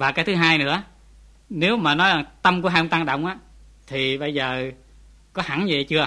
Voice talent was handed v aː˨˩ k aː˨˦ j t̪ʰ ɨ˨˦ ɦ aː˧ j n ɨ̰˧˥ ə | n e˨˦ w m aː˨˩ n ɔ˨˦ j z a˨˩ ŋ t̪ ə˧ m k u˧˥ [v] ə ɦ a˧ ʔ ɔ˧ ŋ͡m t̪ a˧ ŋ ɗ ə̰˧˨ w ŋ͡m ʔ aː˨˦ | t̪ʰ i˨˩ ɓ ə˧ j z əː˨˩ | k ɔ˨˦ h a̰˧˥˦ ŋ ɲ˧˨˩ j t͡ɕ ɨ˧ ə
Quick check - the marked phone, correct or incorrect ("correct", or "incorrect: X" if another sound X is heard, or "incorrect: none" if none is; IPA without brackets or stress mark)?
incorrect: none